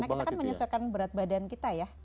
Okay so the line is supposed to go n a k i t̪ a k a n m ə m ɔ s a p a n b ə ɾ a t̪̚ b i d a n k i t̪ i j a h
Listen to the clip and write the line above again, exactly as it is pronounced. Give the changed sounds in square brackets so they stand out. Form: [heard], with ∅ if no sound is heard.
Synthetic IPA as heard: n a k i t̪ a k a n m ə [ɲ] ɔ s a [k] a n b ə ɾ a t̪̚ b [a] d a n k i t̪ [a] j a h